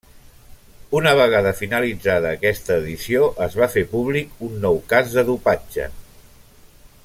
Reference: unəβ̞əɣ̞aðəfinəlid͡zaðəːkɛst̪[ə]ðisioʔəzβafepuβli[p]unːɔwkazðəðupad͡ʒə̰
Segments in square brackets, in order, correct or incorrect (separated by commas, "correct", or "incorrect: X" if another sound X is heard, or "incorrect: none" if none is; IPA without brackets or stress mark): incorrect: əː, incorrect: k